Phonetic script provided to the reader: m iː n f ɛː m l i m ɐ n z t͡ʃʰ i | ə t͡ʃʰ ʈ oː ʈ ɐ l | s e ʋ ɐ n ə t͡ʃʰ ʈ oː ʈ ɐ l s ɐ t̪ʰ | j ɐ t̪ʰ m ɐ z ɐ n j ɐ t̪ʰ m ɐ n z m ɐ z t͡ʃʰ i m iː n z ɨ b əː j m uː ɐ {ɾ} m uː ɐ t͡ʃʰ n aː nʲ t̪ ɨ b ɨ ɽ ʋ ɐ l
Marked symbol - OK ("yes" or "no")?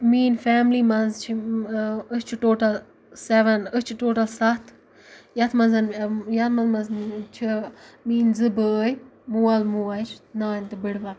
no